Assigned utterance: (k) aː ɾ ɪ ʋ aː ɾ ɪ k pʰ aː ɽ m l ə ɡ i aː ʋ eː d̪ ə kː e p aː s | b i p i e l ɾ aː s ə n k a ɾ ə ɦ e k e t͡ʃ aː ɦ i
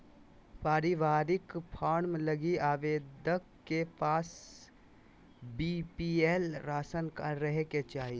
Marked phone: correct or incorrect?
incorrect: p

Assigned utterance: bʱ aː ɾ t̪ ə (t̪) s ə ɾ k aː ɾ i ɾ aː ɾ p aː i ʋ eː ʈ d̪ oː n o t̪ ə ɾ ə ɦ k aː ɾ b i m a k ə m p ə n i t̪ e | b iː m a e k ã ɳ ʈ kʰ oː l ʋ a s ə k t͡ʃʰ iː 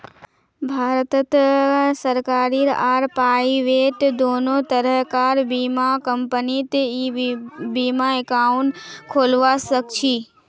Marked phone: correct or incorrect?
correct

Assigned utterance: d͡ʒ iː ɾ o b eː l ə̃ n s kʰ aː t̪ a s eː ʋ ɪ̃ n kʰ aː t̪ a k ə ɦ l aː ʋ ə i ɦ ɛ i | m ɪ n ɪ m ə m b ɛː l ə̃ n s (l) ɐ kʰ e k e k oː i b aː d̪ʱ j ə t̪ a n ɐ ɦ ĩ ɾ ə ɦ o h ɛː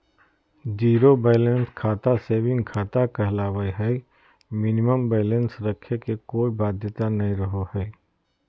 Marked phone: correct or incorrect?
incorrect: ɾ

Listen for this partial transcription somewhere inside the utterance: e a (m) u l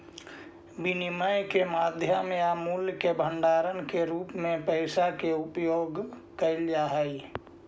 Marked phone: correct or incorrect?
correct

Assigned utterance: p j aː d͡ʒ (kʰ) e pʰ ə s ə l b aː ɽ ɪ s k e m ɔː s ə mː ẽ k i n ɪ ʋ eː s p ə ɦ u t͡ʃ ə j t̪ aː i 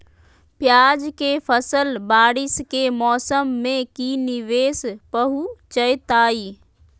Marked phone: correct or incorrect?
incorrect: k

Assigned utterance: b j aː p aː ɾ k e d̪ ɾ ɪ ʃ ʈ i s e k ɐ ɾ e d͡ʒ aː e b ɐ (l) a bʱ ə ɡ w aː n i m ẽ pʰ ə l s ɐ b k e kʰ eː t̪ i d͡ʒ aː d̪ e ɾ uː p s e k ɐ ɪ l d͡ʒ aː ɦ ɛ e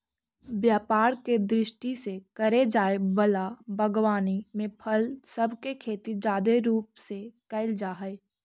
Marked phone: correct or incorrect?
correct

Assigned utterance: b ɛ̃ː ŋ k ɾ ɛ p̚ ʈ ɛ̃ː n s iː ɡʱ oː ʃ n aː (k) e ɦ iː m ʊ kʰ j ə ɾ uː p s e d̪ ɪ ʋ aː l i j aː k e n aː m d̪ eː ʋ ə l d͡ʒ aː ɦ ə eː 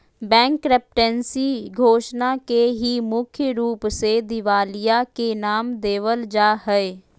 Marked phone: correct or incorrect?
correct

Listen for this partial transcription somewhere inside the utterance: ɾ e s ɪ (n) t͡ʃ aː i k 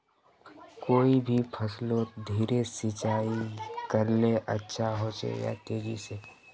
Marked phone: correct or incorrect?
incorrect: none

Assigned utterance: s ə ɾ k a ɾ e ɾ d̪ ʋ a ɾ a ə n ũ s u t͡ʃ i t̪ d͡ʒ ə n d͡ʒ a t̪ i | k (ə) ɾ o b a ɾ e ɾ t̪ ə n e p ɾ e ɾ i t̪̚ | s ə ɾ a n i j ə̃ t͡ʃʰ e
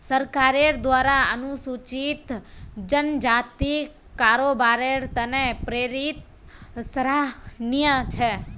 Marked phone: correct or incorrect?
incorrect: a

